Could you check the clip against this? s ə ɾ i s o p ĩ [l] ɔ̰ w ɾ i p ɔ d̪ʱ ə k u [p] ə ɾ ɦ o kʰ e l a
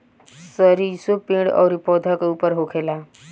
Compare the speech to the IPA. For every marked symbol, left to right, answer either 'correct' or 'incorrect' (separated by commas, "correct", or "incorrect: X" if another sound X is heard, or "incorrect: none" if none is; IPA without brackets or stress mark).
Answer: incorrect: ɽ, correct